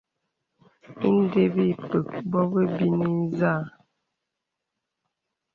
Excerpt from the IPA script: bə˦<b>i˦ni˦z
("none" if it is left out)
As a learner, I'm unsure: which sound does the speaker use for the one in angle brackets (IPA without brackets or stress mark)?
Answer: b